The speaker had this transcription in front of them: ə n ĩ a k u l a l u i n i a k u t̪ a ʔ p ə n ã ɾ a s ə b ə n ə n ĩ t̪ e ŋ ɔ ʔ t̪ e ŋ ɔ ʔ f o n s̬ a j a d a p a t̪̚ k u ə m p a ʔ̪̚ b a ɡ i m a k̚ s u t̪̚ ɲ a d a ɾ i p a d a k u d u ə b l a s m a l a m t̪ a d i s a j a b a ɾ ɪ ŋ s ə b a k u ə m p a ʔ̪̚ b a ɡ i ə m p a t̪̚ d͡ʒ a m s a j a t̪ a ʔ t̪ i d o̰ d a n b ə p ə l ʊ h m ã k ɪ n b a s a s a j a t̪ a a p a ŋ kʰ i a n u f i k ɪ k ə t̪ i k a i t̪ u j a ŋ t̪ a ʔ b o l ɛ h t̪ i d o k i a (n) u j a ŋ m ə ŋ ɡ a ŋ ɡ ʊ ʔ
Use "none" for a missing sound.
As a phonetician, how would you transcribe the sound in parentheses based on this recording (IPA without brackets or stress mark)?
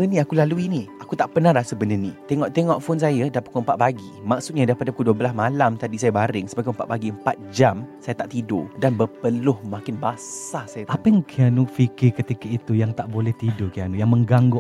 n